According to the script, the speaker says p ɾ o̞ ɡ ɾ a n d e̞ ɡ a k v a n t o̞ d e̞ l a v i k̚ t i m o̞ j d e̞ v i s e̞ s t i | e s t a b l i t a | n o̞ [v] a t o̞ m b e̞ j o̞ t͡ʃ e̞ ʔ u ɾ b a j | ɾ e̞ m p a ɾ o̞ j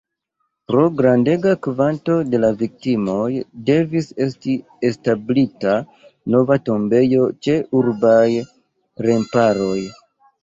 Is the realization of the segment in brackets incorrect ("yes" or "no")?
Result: no